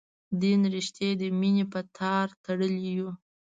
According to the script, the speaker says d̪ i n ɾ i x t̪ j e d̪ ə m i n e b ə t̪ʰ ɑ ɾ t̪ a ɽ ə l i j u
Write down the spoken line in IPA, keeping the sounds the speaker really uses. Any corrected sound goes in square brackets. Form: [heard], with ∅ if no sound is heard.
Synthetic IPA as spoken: d̪ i n ɾ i [ʃ] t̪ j e d̪ ə m i n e [p] ə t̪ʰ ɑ ɾ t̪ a ɽ ə l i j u